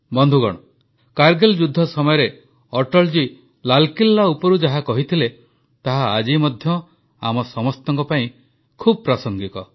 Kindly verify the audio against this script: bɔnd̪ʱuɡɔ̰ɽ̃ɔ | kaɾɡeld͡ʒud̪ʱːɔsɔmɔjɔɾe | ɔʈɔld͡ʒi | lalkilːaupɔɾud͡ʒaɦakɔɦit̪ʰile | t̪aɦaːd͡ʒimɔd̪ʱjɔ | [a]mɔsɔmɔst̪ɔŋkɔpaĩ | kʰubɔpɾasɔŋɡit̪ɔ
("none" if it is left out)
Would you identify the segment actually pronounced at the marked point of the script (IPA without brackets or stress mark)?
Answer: a